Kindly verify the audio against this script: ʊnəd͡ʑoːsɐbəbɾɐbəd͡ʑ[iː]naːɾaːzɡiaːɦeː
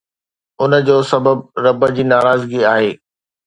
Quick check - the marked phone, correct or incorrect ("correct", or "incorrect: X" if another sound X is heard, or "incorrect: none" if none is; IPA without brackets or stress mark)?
correct